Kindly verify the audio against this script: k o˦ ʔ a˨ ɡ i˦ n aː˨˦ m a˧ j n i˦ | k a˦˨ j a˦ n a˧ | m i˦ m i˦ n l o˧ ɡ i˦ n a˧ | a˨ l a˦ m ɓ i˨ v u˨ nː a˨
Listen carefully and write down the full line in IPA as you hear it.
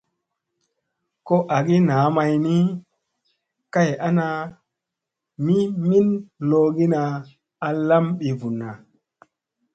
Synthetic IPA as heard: k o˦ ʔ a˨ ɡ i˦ n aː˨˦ m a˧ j n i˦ | k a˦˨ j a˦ n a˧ | m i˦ m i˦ n l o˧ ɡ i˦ n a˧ | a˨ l a˦ m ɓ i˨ v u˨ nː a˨

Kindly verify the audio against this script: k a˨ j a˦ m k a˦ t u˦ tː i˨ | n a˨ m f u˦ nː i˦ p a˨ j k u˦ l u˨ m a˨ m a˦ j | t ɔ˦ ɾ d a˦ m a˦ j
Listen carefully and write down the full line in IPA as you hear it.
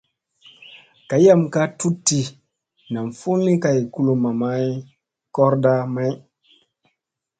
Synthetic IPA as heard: k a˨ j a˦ m k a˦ t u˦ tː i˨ | n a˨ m f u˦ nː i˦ k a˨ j k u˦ l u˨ m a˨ m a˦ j | k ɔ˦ ɾ d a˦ m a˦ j

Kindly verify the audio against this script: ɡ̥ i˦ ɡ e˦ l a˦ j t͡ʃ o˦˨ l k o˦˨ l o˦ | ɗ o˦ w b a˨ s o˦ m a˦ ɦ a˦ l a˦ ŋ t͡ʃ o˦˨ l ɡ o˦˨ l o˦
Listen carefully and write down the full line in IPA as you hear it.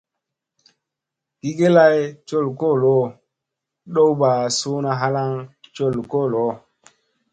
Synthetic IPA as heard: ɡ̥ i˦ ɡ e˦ l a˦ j t͡ʃ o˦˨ l k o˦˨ l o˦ | ɗ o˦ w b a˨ s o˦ n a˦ ɦ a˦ l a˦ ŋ t͡ʃ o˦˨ l k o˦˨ l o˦

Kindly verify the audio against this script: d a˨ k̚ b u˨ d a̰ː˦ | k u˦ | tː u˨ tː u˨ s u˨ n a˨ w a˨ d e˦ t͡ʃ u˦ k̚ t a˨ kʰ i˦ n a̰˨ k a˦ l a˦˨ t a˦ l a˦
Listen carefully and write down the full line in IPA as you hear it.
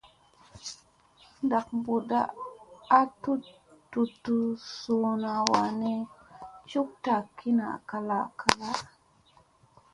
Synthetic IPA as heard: d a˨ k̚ b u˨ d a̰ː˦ | t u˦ | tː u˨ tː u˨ s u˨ n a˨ w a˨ n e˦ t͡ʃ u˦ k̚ t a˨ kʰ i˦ n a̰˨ k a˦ l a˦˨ k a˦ l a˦

